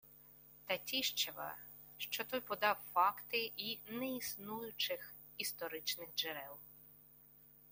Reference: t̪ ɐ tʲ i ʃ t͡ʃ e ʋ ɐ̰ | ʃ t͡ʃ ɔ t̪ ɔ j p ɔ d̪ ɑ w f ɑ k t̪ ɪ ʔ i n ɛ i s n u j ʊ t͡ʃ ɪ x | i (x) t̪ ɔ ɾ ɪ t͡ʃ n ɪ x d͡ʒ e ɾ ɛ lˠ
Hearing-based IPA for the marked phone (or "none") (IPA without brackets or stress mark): s